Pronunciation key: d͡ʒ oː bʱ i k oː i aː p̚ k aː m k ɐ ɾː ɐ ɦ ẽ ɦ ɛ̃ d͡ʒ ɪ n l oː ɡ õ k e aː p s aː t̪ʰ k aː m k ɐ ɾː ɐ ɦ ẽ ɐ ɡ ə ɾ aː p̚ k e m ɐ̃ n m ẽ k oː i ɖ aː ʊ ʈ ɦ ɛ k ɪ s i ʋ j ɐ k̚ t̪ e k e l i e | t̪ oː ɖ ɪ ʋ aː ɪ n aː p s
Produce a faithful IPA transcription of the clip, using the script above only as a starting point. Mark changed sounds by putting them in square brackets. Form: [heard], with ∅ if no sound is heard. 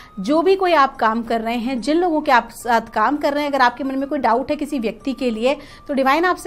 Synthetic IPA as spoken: d͡ʒ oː bʱ i k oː i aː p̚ k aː m k ɐ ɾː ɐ ɦ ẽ ɦ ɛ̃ d͡ʒ ɪ n l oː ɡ õ k e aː p s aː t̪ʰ k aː m k ɐ ɾː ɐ ɦ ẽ ɐ ɡ ə ɾ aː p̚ k e m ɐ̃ n m ẽ k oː i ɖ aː ʊ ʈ ɦ ɛ k ɪ s i ʋ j ɐ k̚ t̪ [i] k e l i e | t̪ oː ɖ ɪ ʋ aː ɪ n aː p s